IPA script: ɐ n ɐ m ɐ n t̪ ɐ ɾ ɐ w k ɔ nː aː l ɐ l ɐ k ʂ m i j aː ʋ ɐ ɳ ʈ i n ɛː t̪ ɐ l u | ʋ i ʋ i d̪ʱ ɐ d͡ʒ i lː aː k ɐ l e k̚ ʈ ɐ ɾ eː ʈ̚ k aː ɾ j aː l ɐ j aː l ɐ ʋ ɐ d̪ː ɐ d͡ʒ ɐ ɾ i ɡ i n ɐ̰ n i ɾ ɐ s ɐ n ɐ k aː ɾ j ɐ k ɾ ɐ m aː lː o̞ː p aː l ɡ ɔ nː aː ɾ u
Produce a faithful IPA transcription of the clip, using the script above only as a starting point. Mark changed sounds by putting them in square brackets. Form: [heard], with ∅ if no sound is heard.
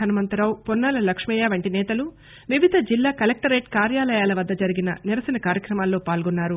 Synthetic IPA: ɐ n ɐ m ɐ n t̪ ɐ ɾ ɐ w [p] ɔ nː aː l ɐ l ɐ k ʂ m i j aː ʋ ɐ ɳ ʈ i n ɛː t̪ ɐ l u | ʋ i ʋ i d̪ʱ ɐ d͡ʒ i lː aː k ɐ l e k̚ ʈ ɐ ɾ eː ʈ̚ k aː ɾ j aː l ɐ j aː l ɐ ʋ ɐ d̪ː ɐ d͡ʒ ɐ ɾ i ɡ i n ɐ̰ n i ɾ ɐ s ɐ n ɐ k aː ɾ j ɐ k ɾ ɐ m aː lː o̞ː p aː l ɡ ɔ nː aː ɾ u